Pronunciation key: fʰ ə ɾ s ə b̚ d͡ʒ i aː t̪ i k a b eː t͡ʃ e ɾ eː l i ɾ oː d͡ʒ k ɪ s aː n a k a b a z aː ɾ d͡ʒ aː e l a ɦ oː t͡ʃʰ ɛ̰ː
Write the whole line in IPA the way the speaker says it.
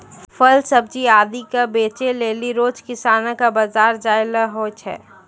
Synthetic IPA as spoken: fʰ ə l s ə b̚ d͡ʒ i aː d̪ i k a b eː t͡ʃ e l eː l i ɾ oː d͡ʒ k ɪ s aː n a k a b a z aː ɾ d͡ʒ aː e l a ɦ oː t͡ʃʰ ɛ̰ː